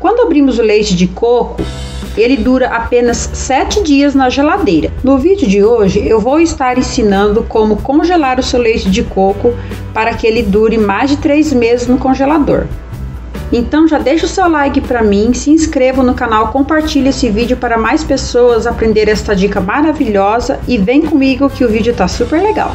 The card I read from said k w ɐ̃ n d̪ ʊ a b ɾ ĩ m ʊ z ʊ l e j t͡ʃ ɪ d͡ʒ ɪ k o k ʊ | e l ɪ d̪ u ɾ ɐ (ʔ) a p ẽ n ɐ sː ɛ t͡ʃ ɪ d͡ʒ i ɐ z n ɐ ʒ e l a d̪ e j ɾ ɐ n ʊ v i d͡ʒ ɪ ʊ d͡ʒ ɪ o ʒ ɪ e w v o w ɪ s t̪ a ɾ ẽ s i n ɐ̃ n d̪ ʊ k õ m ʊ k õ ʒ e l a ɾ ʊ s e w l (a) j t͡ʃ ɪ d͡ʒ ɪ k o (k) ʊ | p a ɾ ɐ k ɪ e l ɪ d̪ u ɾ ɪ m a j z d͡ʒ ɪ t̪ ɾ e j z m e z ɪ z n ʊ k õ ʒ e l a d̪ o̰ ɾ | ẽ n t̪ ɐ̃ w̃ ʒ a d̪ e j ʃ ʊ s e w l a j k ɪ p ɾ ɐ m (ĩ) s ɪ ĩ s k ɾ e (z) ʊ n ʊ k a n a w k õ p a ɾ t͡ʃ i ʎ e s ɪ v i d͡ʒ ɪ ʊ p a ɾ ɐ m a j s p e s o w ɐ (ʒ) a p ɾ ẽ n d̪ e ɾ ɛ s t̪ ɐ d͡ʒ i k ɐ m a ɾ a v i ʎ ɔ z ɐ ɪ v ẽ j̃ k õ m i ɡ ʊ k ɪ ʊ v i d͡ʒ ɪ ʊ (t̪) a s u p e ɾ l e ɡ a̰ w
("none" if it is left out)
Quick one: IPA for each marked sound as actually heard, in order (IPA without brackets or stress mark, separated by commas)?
ʔ, e, k, ĩ, v, z, t̪